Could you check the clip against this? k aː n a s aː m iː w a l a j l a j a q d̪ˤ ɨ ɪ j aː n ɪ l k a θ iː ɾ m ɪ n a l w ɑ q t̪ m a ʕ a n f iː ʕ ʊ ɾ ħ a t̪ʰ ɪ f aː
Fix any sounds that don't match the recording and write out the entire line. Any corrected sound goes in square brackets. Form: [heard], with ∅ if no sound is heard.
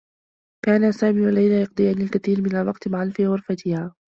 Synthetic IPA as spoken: k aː n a s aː m iː w a l a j l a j [ɑ] q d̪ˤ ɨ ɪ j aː n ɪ l k a θ iː ɾ m ɪ n a l w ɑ q t̪ m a ʕ a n f iː [ɣ] ʊ ɾ [f] a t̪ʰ ɪ [h] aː

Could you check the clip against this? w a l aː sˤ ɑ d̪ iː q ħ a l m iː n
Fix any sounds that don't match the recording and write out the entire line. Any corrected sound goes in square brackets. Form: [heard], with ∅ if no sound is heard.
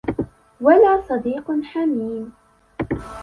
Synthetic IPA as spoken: w a l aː sˤ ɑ d̪ iː q ħ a [∅] m iː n

